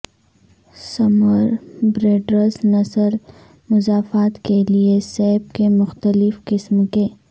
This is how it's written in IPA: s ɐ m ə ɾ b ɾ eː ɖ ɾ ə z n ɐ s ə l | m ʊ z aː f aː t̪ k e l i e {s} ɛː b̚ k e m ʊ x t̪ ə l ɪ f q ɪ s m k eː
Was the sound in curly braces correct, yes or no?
yes